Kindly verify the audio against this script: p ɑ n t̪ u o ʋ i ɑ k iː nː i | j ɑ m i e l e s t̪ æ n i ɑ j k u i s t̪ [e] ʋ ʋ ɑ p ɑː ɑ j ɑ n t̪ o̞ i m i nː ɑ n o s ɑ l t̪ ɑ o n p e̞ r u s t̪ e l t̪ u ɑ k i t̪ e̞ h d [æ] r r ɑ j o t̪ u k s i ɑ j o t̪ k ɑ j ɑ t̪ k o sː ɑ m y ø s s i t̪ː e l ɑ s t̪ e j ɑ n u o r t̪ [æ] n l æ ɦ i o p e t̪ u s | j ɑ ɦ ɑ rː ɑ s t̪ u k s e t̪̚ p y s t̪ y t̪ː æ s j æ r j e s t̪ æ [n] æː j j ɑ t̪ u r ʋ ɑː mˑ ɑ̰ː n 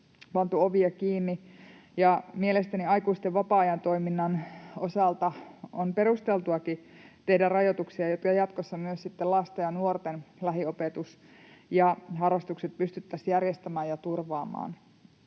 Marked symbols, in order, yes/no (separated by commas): yes, yes, no, no